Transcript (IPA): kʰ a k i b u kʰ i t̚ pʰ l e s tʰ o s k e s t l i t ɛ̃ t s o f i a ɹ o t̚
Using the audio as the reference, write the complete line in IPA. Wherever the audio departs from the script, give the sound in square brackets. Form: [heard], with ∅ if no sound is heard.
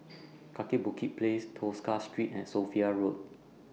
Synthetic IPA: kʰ a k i b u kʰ i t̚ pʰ l e s tʰ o s k [a] s t [ɹ] i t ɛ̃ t s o f i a ɹ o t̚